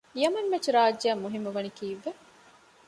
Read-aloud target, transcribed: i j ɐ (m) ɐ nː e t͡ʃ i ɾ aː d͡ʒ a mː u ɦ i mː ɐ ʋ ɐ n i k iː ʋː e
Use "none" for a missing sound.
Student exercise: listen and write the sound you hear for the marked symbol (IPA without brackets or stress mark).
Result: m